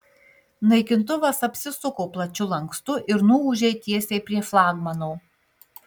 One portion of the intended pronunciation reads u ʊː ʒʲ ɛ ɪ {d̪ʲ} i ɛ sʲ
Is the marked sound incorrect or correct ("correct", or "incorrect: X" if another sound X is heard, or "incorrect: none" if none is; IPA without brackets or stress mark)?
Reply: incorrect: t̪ʲ